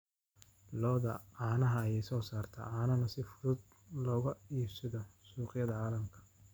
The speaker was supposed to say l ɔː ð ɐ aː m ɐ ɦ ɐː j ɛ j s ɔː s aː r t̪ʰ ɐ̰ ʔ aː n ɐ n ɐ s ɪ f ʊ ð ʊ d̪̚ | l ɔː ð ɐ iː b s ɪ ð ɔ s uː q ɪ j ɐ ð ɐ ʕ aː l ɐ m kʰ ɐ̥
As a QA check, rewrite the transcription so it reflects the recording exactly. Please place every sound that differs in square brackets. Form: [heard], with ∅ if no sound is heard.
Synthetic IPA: l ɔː ð ɐ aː [n] ɐ ɦ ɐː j ɛ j s ɔː s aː r t̪ʰ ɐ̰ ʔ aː n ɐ n ɐ s ɪ f ʊ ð ʊ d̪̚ | l ɔː [ɣ] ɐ iː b s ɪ ð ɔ s uː q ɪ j ɐ ð ɐ ʕ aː l ɐ m kʰ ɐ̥